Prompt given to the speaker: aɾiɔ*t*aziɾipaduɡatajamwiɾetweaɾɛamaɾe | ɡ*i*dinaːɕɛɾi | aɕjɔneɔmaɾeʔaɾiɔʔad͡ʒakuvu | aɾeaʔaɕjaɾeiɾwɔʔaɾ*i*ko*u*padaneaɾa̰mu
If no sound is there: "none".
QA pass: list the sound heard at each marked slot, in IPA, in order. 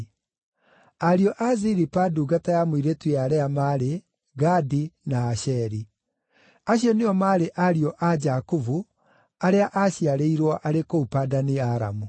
ʔ, a, e, u

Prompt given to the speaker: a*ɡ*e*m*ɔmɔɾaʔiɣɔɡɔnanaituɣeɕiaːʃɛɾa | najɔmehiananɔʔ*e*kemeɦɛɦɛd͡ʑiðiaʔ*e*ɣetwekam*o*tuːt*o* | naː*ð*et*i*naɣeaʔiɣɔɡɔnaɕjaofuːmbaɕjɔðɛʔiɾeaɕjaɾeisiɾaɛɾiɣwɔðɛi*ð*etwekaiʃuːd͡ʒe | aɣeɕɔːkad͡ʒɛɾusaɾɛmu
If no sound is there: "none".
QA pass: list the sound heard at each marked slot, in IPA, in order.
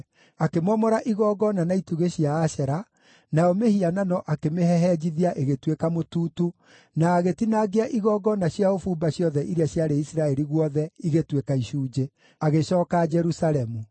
k, m, a, e, o, u, ɣ, i, ɣ

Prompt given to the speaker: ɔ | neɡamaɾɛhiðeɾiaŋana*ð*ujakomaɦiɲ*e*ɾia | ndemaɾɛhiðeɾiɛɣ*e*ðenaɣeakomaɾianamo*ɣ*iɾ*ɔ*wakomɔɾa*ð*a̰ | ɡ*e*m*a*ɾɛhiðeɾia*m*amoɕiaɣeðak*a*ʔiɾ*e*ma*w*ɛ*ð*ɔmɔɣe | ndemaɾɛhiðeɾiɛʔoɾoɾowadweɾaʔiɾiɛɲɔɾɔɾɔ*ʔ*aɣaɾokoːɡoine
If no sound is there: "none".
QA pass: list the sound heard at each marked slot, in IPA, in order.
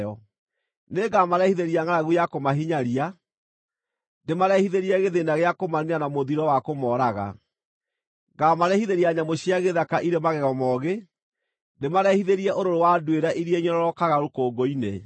ɣ, a, e, ð, ɔ, ɣ, a, a, ɲ, a, e, ɣ, ɣ, k

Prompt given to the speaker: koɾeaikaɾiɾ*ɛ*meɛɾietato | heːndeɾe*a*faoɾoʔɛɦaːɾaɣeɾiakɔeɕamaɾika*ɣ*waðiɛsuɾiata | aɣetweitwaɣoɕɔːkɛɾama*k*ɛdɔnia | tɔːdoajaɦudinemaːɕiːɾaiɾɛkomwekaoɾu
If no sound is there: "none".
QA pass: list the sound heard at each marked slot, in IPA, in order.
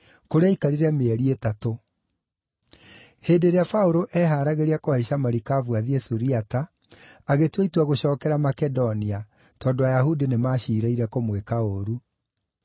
ɛ, a, v, k

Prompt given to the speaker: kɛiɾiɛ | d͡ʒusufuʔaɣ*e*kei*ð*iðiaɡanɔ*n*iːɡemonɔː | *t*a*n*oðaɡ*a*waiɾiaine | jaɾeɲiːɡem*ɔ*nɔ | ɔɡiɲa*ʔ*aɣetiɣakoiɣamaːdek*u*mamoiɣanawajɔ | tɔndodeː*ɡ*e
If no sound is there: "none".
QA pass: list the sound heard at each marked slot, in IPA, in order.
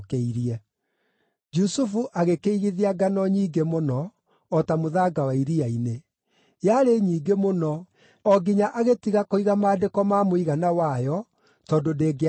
e, ɣ, ɲ, t, m, a, o, ʔ, ɔ, ɡ

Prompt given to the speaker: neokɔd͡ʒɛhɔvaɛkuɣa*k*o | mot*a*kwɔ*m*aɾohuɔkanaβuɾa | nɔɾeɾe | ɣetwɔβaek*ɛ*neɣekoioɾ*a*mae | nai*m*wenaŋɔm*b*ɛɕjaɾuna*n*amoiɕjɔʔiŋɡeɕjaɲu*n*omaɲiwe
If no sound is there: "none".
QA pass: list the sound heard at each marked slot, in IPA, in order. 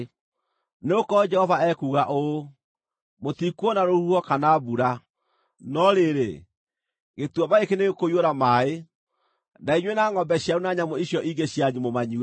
ʔ, i, n, e, a, ɲ, b, ɲ, m

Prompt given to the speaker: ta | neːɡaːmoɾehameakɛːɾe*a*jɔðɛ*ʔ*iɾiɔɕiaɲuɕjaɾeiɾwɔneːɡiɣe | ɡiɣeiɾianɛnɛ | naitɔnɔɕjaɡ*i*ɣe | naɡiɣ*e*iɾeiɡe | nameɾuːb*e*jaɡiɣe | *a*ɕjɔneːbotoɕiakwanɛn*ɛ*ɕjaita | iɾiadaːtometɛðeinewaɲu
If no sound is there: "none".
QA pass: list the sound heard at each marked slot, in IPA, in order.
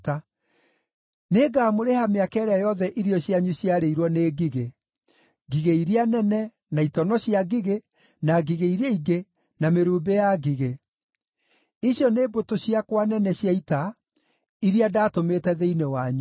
a, ʔ, i, e, e, i, ɛ

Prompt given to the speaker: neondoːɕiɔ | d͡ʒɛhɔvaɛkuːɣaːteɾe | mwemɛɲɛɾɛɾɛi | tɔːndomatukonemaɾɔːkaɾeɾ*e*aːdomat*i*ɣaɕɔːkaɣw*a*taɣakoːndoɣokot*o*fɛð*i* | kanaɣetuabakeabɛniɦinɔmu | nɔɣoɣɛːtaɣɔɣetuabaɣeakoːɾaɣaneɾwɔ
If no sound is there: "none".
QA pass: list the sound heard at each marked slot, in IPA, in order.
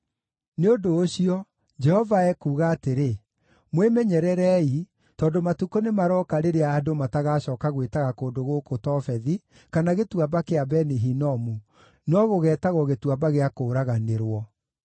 e, a, e, ɔ, i

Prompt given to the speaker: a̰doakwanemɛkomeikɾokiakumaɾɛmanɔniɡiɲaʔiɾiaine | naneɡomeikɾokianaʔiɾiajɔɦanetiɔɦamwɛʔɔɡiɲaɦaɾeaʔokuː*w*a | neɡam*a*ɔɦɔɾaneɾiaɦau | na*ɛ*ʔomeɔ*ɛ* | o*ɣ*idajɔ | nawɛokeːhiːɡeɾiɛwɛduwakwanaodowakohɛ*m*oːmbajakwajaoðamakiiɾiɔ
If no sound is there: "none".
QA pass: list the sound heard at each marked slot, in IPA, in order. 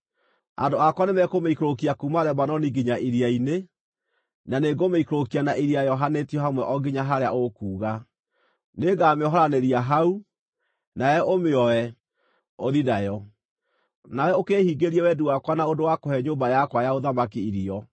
ɣ, e, ɛ, ɛ, ð, ɲ

